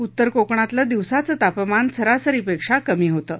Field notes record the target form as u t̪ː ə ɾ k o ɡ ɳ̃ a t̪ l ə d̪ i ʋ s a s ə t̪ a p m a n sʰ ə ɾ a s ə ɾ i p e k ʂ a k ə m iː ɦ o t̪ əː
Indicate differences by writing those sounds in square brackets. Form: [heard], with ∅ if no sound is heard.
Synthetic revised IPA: u t̪ː ə ɾ k o [k] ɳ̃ a t̪ l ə d̪ i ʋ s a [t͡s] ə t̪ a p m a n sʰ ə ɾ a s ə ɾ i p e k ʂ a k ə m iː ɦ o t̪ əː